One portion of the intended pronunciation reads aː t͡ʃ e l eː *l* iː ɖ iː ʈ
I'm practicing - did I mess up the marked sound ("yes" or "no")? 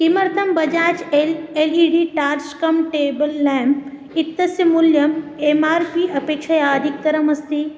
no